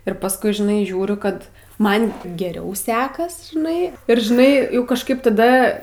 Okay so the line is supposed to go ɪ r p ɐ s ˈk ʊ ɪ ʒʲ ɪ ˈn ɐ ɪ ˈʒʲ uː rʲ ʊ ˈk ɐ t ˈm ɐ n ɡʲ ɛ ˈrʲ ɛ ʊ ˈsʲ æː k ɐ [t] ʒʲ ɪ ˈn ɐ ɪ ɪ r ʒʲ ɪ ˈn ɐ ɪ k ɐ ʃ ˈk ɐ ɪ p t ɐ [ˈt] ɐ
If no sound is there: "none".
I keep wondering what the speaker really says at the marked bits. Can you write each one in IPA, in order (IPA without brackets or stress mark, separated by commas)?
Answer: s, d